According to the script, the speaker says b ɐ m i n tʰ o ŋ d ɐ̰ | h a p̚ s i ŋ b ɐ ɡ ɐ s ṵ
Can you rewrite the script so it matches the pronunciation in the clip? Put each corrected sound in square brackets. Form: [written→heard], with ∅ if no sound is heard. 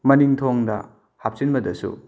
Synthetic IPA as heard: [b→m] ɐ [m→n] i [n→ŋ] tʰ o ŋ d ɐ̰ | h a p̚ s i [ŋ→n] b ɐ [ɡ→d] ɐ s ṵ